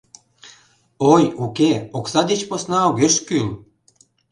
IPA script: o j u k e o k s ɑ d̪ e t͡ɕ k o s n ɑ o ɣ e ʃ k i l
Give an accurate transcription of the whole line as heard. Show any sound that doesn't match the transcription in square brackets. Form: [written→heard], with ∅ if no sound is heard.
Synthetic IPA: o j u k e o k s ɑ d̪ e t͡ɕ [k→p] o s n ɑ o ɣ e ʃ k [i→y] l